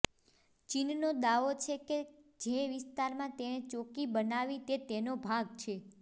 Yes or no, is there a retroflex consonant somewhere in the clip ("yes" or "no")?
no